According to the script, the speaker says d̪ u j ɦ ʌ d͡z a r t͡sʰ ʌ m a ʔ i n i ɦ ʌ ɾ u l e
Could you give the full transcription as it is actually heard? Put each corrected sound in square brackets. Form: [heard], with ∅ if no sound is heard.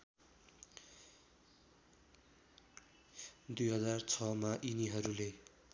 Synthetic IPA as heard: d̪ u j ɦ ʌ d͡z a r t͡sʰ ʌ m a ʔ i n i ɦ ʌ ɾ u l e